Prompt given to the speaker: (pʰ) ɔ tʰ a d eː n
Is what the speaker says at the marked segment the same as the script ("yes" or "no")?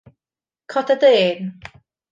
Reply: no